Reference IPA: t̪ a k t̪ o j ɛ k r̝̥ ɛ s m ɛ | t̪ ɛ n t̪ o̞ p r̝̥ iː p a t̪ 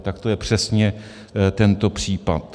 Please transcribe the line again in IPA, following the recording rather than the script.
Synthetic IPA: t̪ a k t̪ o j ɛ p r̝̥ ɛ s ɲ ɛ | t̪ ɛ n t̪ o̞ p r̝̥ iː p a t̪